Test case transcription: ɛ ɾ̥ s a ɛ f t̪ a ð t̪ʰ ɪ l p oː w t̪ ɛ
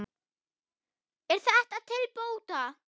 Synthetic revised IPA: ɛ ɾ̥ θ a ɛ h t̪ a ð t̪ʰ ɪ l p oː w t̪ a